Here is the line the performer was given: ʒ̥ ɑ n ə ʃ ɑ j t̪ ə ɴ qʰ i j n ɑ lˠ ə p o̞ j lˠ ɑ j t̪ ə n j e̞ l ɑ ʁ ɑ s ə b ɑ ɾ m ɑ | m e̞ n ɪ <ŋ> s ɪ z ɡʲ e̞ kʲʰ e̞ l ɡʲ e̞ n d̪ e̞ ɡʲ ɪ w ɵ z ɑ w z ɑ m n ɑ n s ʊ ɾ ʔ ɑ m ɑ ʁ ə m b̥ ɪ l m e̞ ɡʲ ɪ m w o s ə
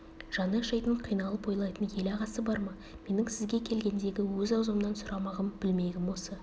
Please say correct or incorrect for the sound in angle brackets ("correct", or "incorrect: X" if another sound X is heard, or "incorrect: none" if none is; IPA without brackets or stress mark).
correct